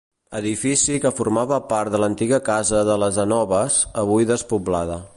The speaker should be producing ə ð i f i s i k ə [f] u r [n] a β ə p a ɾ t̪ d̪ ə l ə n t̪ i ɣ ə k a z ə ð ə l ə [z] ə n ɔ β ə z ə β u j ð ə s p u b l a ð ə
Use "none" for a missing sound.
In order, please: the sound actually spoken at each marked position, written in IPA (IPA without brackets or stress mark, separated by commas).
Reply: f, m, z